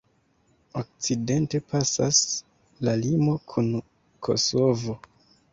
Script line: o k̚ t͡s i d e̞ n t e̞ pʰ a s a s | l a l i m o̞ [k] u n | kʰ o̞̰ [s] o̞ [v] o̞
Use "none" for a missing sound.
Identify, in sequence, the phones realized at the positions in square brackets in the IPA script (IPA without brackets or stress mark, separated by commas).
kʰ, s, v